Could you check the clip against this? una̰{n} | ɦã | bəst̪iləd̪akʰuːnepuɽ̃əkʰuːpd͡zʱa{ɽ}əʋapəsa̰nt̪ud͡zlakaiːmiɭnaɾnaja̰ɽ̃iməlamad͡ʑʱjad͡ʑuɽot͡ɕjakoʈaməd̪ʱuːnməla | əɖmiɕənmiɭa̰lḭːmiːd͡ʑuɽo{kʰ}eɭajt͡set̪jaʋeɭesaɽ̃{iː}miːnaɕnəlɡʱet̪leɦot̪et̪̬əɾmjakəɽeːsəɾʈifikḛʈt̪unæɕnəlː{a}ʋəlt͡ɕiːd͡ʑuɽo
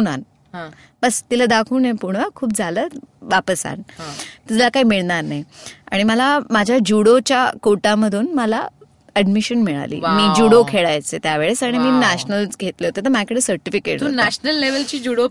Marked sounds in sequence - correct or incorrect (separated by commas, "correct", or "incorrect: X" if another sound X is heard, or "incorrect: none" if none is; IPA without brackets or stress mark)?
correct, incorrect: l, correct, incorrect: i, incorrect: e